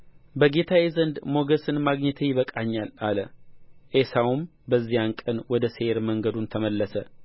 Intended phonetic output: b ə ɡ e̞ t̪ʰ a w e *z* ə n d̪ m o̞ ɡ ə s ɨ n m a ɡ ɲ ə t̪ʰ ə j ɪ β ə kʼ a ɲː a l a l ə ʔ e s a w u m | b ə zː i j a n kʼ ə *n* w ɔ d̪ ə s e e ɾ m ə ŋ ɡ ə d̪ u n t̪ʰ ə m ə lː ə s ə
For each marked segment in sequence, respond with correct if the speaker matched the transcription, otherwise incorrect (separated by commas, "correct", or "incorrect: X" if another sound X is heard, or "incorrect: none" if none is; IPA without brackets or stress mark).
correct, correct